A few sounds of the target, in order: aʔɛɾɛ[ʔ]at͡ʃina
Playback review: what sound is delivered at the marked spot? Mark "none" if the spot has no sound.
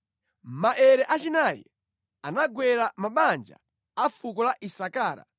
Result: ʔ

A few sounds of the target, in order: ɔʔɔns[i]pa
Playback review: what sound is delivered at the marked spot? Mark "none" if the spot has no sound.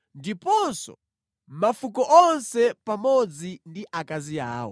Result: ɛ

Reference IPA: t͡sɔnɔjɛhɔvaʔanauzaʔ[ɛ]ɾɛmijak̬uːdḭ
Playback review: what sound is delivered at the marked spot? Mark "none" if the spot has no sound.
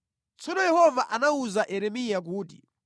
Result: ɛ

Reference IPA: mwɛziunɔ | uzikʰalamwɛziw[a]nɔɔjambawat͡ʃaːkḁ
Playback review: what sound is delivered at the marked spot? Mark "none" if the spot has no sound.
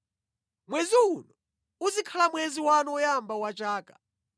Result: a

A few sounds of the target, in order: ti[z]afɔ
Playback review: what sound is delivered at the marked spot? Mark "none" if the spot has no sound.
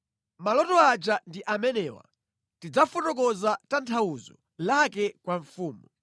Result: d͡z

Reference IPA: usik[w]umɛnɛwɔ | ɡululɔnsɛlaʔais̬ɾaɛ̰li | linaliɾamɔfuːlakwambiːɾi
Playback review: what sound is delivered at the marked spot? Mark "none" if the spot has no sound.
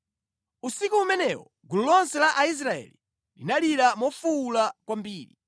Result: u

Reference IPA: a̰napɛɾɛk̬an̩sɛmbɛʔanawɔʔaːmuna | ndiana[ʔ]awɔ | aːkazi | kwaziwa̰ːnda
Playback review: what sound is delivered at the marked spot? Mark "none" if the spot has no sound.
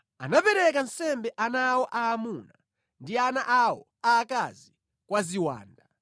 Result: ʔ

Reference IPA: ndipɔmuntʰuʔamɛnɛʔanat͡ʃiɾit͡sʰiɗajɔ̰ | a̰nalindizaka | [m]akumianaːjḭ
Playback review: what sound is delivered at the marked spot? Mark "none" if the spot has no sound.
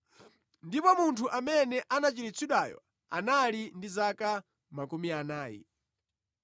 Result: m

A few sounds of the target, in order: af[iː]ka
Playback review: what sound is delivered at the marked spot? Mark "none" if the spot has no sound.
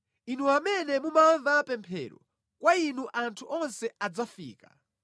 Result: iː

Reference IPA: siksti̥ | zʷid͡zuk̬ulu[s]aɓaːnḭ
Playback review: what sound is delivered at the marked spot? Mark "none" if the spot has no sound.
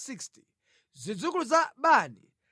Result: z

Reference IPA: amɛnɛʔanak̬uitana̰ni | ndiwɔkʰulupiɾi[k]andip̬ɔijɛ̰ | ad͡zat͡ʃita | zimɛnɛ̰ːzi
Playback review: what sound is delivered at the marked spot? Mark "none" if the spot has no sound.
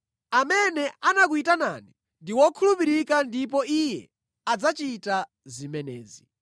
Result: k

